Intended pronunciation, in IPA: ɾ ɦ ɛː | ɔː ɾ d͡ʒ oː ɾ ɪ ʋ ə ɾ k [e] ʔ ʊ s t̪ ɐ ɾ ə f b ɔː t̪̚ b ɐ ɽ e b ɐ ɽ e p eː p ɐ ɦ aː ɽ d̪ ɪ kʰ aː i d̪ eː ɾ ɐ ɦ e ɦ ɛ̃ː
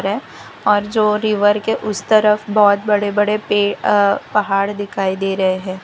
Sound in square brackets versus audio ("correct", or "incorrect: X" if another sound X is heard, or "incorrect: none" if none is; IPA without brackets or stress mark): correct